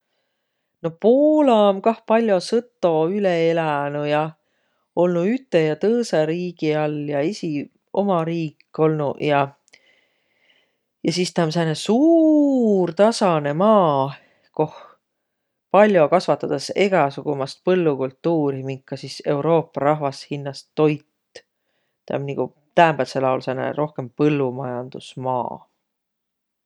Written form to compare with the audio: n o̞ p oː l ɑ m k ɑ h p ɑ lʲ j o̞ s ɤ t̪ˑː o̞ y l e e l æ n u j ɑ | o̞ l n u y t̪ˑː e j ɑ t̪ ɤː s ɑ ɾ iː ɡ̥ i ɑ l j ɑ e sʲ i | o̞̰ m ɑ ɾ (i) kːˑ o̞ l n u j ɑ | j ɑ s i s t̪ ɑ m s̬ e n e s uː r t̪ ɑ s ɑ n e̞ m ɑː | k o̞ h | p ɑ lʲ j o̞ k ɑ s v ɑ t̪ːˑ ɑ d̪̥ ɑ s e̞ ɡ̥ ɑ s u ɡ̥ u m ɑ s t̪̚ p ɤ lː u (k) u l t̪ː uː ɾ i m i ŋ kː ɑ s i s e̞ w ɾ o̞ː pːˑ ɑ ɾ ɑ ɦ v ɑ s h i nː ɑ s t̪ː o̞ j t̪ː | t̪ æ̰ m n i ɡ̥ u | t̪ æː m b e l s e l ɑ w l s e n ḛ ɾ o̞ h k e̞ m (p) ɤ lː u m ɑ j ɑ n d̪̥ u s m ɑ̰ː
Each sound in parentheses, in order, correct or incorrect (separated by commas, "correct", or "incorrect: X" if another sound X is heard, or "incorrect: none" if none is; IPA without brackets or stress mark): incorrect: iː, correct, correct